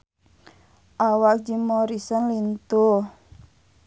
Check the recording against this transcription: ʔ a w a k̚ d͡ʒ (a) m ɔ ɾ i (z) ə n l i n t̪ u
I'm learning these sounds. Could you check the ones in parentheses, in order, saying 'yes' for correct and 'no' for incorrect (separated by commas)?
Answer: no, no